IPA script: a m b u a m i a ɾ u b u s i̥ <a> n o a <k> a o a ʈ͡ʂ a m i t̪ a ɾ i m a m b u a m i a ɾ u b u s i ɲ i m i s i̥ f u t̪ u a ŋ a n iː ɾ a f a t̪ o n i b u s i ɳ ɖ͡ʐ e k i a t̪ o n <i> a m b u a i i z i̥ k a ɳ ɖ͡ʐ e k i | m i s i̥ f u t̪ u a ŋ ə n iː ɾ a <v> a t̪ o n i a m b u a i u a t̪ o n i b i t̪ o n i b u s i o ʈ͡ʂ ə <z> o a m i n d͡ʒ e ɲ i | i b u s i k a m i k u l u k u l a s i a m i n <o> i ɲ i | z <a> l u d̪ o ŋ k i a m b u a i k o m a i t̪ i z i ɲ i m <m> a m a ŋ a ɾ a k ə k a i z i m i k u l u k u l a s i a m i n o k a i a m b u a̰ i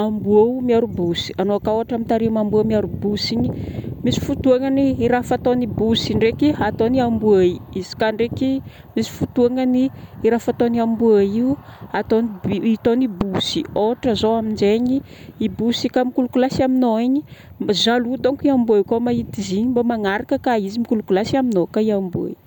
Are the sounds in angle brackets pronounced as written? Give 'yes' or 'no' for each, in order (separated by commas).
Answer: yes, yes, yes, no, yes, yes, yes, no